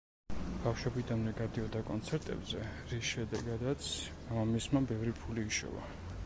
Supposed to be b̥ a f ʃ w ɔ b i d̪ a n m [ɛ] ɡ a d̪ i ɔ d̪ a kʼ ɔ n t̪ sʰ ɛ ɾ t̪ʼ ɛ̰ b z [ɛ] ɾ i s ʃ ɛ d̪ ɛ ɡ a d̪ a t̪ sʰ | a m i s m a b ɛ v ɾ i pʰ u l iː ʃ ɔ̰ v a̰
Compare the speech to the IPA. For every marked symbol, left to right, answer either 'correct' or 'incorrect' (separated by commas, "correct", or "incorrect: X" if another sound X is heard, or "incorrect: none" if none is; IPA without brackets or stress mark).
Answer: correct, correct